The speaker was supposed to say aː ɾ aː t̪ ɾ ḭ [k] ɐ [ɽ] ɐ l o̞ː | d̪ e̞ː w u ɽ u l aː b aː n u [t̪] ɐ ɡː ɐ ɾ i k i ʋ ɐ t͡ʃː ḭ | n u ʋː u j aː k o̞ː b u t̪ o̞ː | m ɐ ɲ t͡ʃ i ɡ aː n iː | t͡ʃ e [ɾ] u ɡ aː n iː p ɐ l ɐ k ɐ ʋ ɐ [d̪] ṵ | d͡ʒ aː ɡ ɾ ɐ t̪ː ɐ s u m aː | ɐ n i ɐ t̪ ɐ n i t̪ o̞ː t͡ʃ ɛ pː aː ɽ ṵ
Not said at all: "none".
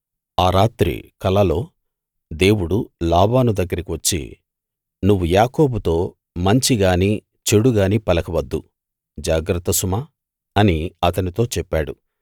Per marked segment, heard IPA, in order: k, l, d̪, ɽ, d̪ː

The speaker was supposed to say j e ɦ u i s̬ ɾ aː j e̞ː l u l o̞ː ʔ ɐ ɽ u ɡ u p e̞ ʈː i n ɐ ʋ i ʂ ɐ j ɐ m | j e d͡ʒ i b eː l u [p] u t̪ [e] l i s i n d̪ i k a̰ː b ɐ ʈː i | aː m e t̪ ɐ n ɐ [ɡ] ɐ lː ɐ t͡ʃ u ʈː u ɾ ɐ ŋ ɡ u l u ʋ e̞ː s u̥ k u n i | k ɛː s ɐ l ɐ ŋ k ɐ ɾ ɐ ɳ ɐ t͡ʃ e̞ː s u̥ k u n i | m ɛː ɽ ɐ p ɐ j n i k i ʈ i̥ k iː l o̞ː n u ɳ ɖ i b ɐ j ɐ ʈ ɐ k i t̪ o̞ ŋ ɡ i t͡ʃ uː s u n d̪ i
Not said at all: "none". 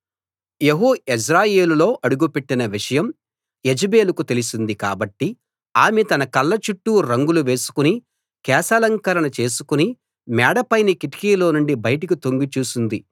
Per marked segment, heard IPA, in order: k, e, k

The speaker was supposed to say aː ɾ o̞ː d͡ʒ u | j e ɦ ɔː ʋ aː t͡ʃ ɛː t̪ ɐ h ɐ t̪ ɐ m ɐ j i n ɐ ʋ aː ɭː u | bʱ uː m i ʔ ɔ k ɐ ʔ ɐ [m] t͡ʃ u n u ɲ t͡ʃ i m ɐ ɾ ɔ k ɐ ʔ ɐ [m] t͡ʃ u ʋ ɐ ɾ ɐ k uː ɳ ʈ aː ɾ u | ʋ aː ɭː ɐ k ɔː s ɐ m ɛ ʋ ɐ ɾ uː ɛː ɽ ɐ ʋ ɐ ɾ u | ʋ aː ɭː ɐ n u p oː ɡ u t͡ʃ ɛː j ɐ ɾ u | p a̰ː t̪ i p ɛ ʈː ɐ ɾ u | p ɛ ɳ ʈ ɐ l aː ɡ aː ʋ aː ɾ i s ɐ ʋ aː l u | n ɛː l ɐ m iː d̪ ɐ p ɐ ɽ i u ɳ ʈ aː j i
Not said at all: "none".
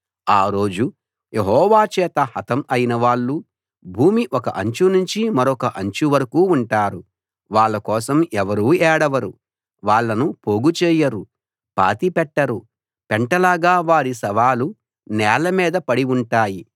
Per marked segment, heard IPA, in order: ɲ, ɲ

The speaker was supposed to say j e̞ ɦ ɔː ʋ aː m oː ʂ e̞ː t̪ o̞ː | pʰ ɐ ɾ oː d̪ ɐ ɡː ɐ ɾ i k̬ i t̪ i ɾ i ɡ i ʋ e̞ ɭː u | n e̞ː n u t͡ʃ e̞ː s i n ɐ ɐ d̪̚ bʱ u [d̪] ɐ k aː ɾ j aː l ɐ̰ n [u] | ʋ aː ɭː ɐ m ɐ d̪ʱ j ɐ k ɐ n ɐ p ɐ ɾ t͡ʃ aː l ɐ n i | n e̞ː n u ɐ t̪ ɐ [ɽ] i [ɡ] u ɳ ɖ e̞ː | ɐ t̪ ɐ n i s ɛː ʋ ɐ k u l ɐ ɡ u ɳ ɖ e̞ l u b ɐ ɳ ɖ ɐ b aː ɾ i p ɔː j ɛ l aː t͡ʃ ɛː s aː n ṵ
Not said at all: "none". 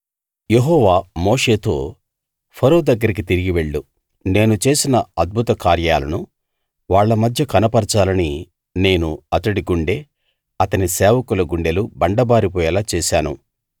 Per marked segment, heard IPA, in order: t̪, u, ɽ, ɡ

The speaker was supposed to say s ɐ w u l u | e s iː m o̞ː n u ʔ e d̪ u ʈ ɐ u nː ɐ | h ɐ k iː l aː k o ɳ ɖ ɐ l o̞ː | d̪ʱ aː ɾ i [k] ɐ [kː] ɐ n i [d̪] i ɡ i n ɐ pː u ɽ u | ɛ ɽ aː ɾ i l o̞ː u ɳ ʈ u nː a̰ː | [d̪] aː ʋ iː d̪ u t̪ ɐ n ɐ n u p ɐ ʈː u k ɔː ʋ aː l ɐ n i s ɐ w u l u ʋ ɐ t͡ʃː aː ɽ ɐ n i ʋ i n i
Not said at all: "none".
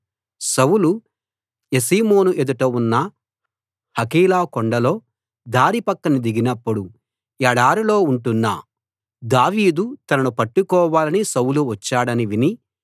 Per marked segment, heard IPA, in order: p, kː, d̪, d̪

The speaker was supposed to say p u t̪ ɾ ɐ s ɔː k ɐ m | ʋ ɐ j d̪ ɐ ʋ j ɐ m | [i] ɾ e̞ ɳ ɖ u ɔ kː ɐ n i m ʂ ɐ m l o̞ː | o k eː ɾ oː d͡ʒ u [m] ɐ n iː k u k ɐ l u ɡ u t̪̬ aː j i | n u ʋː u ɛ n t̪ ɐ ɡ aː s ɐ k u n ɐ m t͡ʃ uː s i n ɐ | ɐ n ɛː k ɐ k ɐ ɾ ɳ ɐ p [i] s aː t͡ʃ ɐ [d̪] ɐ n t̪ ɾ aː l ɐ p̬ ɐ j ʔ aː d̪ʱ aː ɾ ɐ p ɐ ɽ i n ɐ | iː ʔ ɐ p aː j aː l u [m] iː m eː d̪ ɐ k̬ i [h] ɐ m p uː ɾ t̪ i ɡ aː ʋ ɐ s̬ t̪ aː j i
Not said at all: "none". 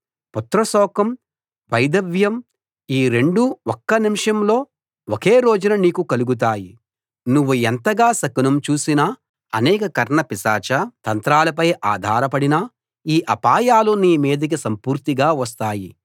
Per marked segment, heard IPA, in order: iː, n, i, t̪, n, s

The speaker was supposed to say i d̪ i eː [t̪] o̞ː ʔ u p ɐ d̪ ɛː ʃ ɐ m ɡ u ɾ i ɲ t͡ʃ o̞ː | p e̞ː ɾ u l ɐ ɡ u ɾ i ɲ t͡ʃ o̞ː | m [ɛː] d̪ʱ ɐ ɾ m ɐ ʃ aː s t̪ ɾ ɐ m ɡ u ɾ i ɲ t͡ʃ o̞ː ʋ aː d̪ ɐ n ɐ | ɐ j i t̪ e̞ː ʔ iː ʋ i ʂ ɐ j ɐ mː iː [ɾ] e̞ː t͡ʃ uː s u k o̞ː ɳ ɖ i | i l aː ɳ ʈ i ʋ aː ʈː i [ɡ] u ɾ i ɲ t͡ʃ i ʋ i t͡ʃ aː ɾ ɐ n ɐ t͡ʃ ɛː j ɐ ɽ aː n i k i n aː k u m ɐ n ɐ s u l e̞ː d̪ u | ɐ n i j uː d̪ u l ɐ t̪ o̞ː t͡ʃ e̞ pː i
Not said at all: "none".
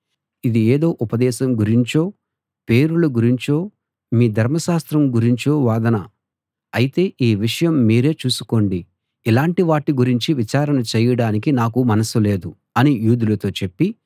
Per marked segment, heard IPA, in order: d̪, iː, ɾ, ɡ

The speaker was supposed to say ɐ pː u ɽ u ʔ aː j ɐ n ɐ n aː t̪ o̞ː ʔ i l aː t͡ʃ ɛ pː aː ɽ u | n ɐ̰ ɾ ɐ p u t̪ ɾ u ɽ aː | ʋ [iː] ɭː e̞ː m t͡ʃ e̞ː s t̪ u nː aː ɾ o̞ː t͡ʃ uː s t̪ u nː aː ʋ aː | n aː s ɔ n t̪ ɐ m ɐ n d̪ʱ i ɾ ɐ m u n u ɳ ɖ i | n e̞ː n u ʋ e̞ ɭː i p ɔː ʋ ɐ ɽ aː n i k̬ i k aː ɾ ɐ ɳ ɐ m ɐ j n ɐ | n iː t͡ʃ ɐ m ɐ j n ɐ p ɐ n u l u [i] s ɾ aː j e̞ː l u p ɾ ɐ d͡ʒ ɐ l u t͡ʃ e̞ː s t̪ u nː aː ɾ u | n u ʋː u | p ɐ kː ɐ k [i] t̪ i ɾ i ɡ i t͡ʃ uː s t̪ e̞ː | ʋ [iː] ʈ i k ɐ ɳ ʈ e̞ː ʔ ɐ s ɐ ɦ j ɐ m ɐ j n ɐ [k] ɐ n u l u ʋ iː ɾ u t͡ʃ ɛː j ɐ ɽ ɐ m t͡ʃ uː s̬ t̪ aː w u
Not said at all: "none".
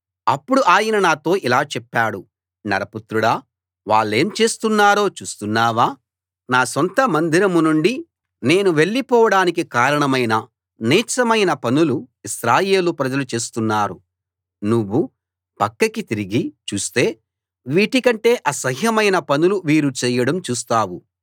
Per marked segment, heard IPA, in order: aː, i, i, iː, p

